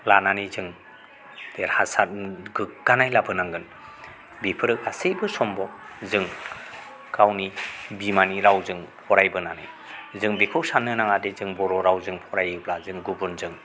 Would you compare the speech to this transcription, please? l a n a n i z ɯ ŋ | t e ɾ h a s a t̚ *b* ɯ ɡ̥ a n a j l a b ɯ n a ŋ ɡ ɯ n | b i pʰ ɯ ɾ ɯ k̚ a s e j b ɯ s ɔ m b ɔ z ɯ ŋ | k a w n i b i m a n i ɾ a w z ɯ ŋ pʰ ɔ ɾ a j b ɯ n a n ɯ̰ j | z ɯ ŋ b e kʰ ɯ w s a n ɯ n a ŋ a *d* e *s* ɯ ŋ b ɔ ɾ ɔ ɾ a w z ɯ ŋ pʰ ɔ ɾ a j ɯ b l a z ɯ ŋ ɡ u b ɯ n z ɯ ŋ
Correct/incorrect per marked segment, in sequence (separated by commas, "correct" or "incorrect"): incorrect, correct, incorrect